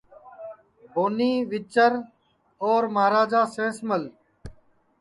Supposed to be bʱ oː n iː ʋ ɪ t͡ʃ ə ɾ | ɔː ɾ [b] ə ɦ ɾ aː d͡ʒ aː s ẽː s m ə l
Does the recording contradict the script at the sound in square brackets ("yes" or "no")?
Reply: yes